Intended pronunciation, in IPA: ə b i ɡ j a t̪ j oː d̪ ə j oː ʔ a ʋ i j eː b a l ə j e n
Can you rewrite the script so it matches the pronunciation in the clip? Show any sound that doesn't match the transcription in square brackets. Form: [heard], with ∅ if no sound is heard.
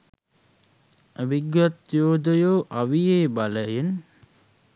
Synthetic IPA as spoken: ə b i ɡ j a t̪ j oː d̪ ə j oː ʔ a ʋ i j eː b a l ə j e n

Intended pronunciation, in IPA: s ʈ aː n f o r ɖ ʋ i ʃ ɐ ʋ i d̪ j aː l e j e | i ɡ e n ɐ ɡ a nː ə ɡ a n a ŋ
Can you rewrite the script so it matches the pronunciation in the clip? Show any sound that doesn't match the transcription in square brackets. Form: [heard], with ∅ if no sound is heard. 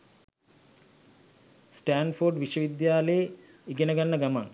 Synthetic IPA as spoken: s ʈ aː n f o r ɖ ʋ i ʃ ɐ ʋ i d̪ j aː l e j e | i ɡ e n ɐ ɡ a nː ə ɡ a [m] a ŋ

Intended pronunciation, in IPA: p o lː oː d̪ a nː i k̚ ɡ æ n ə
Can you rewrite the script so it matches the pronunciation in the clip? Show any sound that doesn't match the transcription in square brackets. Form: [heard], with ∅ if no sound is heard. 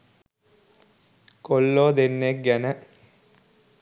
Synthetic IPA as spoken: [k] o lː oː d̪ [e] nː [e] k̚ ɡ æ n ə

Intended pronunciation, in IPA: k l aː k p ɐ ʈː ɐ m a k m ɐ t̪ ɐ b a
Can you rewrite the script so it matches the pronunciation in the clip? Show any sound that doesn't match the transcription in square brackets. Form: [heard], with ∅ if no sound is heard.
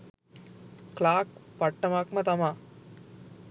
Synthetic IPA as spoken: k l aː k p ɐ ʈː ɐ m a k m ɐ t̪ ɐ [m] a

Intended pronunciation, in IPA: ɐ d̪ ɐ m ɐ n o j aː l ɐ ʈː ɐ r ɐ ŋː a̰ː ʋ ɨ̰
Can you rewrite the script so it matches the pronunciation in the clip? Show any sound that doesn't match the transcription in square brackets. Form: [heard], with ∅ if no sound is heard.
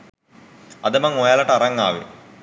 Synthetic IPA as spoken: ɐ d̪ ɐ m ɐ [ŋ] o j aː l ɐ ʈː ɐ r ɐ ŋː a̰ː ʋ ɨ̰

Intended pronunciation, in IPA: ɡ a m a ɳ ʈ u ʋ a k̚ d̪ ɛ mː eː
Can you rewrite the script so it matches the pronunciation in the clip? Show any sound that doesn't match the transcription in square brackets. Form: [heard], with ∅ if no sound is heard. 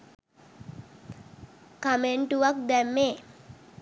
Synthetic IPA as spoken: [k] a m [e] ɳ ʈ u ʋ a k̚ d̪ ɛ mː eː

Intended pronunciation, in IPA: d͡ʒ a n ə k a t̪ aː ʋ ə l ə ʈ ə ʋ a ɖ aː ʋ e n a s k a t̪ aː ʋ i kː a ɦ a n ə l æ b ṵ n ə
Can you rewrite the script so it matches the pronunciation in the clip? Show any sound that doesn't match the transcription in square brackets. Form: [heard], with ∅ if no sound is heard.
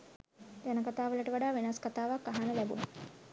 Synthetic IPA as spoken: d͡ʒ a n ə k a t̪ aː ʋ ə l ə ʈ ə ʋ a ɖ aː ʋ e n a s k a t̪ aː ʋ [a] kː a ɦ a n ə l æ b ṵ n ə

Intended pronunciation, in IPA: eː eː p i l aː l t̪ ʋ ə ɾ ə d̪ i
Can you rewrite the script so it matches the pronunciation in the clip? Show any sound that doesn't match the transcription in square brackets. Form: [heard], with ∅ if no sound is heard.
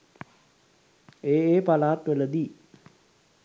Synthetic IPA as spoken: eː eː p [a] l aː [∅] t̪ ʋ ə [l] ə d̪ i

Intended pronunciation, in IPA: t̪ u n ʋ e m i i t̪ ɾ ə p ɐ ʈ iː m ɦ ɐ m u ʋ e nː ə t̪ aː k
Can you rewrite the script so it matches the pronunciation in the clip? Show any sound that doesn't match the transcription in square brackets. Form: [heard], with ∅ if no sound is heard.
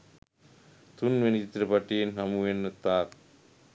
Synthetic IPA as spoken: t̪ u n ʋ e [n] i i t̪ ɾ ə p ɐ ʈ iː [n] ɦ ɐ m u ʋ e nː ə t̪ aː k

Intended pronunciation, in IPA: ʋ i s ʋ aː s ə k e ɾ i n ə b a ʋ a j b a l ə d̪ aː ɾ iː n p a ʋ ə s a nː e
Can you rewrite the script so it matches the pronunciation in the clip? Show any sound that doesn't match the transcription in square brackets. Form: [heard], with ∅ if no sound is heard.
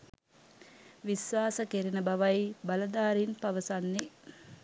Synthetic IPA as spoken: ʋ i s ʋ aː s ə k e ɾ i n ə b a ʋ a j b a l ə d̪ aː ɾ [i] n p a ʋ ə s a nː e

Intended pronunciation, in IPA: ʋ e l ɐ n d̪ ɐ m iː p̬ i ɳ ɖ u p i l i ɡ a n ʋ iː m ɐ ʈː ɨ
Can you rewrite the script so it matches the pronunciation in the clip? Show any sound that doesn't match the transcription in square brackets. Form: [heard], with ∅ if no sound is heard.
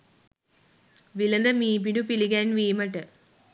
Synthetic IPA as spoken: ʋ [i] l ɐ n d̪ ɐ m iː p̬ i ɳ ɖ u p i l i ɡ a n ʋ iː m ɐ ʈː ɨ

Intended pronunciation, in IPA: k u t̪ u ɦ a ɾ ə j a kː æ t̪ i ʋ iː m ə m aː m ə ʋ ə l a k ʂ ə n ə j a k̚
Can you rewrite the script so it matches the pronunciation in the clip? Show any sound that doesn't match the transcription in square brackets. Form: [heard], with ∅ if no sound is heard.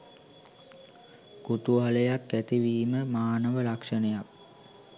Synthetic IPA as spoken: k u t̪ u ɦ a [l] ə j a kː æ t̪ i ʋ iː m ə m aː [n] ə ʋ ə l a k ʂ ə n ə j a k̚

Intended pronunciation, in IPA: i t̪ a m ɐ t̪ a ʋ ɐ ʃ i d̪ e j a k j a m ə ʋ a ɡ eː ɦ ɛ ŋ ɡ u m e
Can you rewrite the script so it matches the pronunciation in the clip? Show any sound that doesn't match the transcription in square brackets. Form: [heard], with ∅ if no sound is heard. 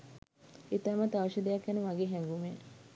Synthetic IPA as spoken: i t̪ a m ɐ t̪ a ʋ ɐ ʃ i d̪ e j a k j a [n] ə ʋ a ɡ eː ɦ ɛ ŋ ɡ u m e

